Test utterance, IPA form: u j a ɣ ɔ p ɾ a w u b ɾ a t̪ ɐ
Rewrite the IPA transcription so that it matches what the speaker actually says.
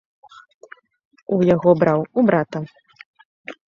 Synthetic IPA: u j a ɣ ɔ b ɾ a w u b ɾ a t̪ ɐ